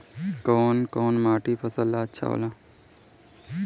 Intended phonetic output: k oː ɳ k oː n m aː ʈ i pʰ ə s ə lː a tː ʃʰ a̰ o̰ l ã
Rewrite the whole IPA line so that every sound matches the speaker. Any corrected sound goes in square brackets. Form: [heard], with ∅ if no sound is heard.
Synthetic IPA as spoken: k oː [n] k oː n m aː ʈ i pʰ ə s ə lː a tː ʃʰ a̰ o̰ l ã